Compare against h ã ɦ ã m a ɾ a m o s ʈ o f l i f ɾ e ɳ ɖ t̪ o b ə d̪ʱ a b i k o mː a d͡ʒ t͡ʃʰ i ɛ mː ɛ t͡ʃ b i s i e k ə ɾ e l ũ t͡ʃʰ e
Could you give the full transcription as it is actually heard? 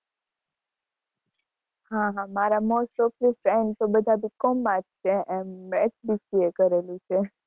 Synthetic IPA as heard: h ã ɦ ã m a ɾ a m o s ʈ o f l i f ɾ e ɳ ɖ t̪ o b ə d̪ʱ a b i k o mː a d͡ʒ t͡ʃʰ e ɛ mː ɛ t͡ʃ b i s i e k ə ɾ e l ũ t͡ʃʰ e